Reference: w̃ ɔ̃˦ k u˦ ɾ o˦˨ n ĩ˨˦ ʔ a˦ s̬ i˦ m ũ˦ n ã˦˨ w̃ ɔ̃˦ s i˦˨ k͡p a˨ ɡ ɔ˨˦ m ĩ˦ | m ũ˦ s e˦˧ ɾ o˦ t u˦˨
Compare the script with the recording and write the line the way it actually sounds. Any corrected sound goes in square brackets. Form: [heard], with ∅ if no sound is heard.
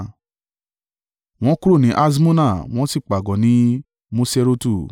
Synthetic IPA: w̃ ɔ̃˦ k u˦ ɾ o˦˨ n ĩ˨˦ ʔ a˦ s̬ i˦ m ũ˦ n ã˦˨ w̃ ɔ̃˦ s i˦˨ k͡p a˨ ɡ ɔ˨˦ [n] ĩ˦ | m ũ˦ s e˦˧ ɾ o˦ t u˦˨